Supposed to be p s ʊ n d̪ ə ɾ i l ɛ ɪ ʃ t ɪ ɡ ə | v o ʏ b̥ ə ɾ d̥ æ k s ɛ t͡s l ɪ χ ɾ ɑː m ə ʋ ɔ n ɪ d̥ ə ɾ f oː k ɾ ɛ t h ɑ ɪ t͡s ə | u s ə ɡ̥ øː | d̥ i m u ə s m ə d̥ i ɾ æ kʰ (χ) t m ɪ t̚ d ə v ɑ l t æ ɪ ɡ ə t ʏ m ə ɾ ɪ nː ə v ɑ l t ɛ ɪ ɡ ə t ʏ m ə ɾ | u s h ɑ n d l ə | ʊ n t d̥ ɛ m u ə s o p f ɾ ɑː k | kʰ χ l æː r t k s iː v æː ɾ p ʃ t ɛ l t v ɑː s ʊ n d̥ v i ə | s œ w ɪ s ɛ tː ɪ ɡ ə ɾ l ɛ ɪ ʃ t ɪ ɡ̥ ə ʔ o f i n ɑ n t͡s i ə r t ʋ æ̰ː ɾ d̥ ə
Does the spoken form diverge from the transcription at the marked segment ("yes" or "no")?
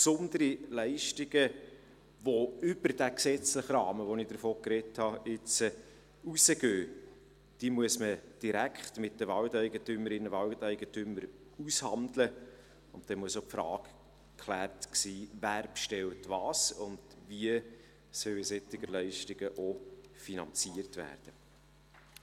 no